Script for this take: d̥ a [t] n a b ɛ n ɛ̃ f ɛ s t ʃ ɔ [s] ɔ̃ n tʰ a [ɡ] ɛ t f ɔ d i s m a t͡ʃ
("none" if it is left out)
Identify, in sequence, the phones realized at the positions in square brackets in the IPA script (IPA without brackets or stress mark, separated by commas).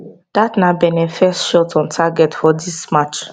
t, t, ɡ